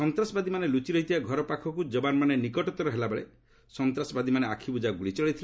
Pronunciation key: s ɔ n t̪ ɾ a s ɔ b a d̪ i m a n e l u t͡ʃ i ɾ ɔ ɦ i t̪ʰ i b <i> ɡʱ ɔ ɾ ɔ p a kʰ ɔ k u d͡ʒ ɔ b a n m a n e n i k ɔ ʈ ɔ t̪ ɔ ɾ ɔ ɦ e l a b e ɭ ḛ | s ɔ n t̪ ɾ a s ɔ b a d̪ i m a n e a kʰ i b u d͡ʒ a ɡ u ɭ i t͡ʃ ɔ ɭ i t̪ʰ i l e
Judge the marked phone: incorrect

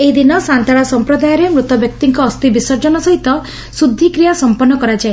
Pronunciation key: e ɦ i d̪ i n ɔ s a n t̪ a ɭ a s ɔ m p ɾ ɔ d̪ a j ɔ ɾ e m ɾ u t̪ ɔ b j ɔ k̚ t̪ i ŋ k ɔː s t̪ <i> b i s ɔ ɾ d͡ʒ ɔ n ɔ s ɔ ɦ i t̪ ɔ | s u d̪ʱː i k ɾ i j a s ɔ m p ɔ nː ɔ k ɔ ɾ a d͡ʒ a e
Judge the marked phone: correct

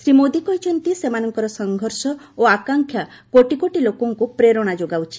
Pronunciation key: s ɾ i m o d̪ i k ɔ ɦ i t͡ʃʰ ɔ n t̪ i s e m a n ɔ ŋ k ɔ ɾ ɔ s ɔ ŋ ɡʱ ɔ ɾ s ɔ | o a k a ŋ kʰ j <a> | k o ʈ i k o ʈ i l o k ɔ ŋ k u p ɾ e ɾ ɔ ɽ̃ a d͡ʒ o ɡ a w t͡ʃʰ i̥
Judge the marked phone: correct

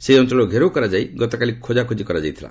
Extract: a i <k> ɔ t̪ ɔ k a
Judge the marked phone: incorrect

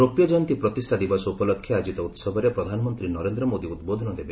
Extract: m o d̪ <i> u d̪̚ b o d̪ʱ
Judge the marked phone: correct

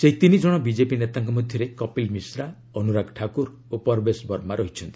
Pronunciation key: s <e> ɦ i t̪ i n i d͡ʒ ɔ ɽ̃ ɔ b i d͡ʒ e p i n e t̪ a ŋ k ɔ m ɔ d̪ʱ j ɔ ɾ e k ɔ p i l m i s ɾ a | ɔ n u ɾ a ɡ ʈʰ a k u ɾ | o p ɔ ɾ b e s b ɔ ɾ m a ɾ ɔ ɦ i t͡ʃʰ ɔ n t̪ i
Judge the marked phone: correct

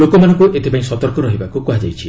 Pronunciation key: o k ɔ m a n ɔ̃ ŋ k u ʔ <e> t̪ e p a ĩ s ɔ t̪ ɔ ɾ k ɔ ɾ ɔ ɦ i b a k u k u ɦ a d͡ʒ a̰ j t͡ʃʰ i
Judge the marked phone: correct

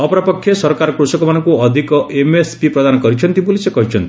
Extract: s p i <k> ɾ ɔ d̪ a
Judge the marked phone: incorrect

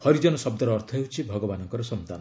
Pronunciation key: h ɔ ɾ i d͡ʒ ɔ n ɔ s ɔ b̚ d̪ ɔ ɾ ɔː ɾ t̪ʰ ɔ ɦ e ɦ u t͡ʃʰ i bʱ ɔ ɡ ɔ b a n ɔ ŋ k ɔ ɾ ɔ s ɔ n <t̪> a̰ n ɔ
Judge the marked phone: correct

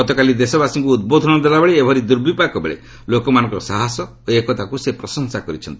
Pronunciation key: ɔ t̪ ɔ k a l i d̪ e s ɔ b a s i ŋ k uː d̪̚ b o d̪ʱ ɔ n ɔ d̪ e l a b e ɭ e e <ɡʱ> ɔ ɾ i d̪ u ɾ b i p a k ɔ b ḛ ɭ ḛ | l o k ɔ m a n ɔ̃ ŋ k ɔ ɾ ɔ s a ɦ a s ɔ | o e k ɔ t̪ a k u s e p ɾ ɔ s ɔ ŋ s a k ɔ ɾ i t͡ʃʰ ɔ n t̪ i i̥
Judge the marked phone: incorrect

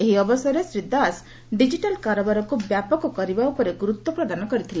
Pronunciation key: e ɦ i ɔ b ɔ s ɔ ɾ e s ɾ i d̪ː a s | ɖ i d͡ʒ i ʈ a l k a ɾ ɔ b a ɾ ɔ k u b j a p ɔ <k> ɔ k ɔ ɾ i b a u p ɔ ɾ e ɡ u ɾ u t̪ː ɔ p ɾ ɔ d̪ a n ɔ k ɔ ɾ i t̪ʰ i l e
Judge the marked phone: correct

